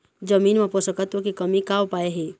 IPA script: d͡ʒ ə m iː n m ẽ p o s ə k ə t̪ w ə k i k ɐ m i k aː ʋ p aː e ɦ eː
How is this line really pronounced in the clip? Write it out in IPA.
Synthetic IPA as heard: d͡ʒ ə m iː n m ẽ p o s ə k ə t̪ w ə k i k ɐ m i k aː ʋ p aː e ɦ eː